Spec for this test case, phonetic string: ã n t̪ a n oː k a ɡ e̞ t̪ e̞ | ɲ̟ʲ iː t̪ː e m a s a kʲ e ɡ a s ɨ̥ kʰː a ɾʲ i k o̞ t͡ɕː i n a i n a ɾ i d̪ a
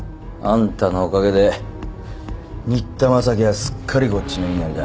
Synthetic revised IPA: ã n t̪ a n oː k a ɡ e̞ d̪ e̞ | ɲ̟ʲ i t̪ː a m a s a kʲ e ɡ a s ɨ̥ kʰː a ɾʲ i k o̞ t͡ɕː i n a i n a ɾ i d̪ a